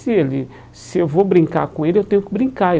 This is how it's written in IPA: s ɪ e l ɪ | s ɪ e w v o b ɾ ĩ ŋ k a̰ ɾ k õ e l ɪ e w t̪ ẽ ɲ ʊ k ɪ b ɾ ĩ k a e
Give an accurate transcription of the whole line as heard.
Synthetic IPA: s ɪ e l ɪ | s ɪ e w v o b ɾ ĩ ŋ k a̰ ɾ k õ e l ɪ e w t̪ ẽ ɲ ʊ k ɪ b ɾ ĩ k a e